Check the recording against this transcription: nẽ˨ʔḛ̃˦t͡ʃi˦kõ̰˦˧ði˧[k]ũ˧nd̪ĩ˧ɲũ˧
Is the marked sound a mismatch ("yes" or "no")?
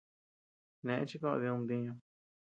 yes